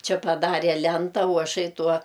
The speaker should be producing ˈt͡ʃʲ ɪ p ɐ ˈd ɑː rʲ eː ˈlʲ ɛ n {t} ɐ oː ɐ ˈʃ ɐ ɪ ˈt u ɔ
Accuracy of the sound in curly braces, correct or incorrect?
correct